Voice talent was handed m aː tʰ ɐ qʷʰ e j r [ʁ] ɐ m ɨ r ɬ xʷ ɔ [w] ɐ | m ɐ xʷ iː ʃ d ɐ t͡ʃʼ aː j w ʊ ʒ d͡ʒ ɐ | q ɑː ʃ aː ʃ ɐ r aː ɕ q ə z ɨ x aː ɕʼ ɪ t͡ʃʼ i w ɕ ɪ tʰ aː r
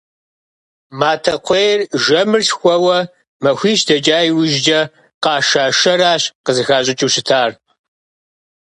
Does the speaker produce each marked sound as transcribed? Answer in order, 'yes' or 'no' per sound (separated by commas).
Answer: no, yes